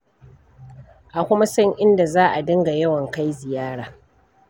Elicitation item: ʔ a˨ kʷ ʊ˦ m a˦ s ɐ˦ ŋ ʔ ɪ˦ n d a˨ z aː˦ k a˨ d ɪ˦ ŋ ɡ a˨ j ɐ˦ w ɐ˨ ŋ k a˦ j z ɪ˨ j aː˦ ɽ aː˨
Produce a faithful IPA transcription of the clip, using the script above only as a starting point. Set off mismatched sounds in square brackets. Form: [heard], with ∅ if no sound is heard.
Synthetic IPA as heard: ʔ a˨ kʷ ʊ˦ m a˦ s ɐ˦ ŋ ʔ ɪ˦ n d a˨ z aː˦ [ʔ] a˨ d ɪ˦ ŋ ɡ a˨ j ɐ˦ w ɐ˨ ŋ k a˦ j z ɪ˨ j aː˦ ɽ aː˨